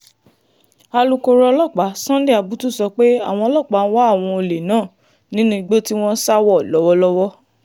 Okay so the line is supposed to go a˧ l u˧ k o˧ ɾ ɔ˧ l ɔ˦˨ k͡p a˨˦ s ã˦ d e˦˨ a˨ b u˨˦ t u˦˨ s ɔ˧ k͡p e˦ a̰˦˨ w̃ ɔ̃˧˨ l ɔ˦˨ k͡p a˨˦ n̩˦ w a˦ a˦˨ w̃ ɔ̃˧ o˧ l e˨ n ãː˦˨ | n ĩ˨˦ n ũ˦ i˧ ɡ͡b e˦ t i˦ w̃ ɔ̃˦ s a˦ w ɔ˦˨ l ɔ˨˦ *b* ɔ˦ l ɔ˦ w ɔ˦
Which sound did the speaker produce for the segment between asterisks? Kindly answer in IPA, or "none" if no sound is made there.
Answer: w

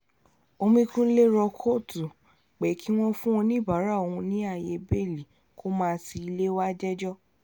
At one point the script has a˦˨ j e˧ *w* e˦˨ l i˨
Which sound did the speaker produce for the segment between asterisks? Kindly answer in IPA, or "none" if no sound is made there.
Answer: b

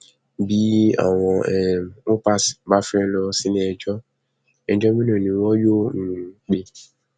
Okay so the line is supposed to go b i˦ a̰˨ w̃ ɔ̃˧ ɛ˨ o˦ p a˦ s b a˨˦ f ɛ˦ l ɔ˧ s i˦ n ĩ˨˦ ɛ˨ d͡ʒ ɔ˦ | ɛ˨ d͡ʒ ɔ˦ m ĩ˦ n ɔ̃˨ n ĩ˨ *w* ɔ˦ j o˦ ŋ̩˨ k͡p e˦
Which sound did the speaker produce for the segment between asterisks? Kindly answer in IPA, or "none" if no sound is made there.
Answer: w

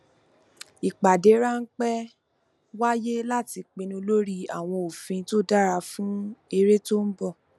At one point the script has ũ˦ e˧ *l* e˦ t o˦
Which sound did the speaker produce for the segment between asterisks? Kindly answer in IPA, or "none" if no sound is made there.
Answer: ɾ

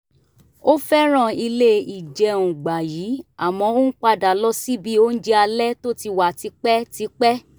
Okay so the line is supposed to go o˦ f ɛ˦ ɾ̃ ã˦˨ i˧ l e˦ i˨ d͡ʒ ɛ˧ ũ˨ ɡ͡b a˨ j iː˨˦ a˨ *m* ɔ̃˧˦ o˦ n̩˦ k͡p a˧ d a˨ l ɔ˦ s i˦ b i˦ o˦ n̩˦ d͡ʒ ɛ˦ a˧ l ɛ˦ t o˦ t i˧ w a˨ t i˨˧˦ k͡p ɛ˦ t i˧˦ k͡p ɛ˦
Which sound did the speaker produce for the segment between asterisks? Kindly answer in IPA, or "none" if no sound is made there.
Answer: m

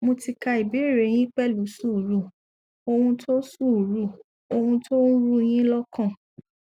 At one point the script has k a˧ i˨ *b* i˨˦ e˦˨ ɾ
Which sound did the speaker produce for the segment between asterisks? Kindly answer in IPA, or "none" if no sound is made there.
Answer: b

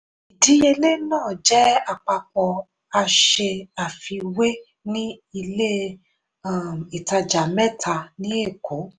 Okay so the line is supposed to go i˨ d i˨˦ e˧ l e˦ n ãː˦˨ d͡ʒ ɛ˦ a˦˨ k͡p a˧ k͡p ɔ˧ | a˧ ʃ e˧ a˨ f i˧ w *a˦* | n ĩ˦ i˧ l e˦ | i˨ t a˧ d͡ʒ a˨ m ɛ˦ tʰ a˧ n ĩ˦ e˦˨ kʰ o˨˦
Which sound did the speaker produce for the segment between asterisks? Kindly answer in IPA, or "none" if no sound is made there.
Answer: e˦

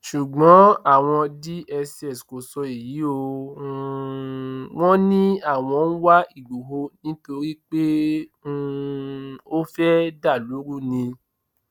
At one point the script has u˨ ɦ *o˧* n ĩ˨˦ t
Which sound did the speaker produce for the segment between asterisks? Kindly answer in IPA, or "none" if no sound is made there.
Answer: o˧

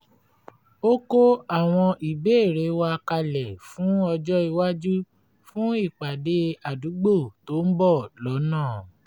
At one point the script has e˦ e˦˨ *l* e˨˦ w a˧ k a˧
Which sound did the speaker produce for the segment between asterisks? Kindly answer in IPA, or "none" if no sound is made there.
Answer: ɾ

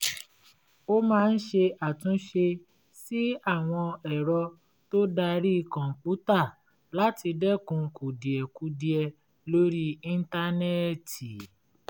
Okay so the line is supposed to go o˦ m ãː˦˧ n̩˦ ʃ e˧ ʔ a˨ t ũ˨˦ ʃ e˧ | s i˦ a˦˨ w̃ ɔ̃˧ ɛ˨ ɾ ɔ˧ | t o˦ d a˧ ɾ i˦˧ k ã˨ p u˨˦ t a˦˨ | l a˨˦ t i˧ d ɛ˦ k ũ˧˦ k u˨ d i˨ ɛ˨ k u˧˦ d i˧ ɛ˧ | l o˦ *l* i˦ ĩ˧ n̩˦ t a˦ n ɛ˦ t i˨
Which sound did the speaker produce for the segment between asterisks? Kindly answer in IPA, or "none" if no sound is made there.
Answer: ɾ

